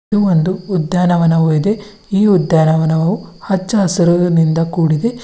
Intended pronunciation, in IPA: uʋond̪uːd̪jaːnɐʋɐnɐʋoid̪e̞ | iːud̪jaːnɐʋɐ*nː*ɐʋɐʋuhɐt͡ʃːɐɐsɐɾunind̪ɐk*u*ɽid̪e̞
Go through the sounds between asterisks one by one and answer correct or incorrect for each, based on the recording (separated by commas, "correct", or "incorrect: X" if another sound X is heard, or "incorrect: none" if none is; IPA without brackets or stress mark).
incorrect: n, incorrect: uː